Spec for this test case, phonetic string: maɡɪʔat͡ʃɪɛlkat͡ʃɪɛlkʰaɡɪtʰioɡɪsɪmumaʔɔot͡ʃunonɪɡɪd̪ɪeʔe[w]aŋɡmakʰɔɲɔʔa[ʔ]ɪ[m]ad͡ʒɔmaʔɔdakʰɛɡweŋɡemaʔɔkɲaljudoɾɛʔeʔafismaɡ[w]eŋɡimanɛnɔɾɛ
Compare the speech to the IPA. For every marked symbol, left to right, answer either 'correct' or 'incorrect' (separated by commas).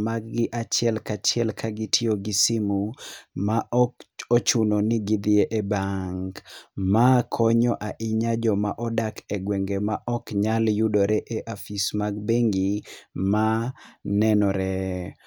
incorrect, correct, incorrect, incorrect